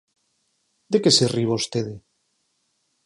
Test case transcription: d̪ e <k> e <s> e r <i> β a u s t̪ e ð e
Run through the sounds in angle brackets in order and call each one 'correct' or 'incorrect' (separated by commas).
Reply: correct, correct, correct